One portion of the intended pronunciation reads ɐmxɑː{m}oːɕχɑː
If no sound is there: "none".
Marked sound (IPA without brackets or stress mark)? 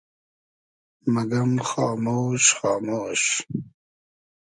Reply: m